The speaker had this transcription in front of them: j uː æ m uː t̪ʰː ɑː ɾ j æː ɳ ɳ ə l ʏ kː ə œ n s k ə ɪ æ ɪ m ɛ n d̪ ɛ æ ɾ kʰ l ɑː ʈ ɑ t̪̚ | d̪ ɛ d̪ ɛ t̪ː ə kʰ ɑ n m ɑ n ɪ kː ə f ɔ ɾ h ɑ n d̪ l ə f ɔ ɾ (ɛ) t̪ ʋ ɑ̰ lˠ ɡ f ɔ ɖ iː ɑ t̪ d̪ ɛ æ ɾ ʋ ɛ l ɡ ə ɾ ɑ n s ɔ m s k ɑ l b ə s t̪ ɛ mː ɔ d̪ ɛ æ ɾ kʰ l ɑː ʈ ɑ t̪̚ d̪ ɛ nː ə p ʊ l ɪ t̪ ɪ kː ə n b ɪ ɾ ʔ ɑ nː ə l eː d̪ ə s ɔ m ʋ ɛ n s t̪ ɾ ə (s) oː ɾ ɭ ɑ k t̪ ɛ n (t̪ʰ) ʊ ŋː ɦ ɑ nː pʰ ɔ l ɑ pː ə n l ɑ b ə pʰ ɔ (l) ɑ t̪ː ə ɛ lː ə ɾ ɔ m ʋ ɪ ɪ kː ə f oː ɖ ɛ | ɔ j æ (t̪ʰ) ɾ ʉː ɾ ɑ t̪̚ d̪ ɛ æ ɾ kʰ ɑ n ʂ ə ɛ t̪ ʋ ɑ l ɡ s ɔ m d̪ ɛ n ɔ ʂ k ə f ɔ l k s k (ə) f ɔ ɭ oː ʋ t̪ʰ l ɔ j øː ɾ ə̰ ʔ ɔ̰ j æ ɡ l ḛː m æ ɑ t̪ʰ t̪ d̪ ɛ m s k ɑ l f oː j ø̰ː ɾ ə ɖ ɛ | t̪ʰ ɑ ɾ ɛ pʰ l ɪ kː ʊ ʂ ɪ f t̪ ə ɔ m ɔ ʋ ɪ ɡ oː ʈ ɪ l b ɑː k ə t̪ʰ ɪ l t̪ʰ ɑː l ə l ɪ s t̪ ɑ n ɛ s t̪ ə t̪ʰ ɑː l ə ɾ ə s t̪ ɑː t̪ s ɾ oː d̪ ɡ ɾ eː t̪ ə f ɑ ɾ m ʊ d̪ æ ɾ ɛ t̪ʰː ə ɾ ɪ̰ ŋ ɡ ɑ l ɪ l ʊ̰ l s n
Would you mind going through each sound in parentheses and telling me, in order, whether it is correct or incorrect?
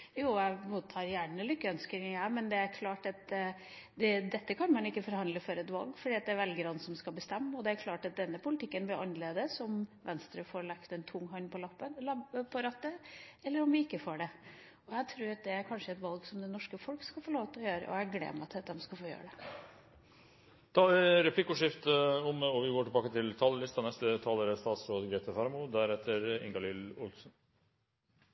correct, incorrect: f, correct, incorrect: ɾ, correct, incorrect: ɑ

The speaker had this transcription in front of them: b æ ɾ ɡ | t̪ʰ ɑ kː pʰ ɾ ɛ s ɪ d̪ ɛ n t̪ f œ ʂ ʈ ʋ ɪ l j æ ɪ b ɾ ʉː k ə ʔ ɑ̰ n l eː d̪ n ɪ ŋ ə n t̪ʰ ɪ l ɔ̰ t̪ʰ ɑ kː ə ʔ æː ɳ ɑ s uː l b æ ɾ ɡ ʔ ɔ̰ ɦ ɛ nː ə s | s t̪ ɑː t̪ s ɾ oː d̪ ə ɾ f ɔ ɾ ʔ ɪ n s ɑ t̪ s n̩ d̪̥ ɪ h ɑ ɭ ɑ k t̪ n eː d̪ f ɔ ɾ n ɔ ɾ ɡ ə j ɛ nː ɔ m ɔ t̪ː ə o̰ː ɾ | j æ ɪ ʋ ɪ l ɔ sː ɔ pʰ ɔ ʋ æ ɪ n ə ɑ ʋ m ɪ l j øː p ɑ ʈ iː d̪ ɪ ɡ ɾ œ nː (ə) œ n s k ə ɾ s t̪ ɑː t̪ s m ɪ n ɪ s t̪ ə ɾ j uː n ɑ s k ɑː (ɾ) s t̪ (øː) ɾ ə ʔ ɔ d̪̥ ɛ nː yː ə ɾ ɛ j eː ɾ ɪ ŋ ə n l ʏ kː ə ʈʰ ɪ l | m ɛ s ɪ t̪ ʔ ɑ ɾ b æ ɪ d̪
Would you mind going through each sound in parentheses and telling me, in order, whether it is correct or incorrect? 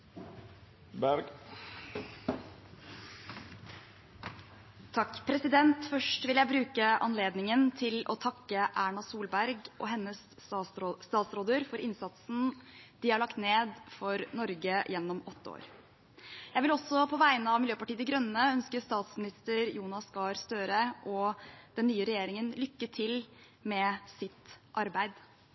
correct, correct, correct

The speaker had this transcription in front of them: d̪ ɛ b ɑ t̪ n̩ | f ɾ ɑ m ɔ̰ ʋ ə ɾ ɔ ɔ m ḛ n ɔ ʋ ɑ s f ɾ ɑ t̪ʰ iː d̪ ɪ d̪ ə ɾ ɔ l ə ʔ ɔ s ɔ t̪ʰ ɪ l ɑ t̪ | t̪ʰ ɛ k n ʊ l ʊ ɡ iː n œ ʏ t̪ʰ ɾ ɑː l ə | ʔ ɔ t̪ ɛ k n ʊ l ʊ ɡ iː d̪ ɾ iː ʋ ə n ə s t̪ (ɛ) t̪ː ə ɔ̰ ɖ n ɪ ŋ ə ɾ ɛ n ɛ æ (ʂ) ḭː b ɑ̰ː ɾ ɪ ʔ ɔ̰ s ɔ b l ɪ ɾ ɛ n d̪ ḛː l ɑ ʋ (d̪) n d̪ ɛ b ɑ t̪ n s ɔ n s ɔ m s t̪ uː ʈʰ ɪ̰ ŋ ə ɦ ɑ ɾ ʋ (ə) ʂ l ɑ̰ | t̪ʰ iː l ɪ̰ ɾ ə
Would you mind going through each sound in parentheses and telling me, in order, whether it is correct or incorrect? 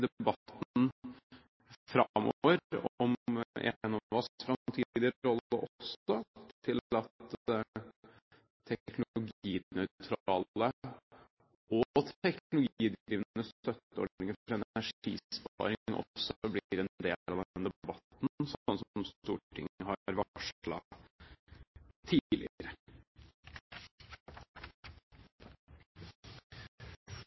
incorrect: œ, correct, correct, incorrect: ɑ

